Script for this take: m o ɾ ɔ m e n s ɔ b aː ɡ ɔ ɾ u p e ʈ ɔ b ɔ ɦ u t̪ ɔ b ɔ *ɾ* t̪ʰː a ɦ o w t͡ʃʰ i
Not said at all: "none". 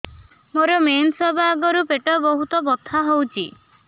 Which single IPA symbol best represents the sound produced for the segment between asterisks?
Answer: none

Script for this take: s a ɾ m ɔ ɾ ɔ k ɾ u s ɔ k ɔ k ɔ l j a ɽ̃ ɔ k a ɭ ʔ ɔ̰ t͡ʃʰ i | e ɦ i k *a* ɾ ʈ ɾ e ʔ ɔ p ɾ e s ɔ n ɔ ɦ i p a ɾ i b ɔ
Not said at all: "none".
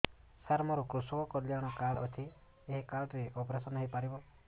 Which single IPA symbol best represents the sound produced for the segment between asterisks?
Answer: a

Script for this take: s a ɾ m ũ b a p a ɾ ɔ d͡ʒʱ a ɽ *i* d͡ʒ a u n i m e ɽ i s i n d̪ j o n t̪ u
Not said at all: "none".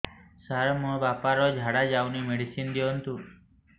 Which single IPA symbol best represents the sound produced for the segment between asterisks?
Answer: a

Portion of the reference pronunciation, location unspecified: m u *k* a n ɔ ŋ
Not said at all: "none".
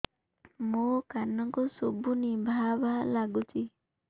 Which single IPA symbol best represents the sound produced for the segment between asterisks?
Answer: k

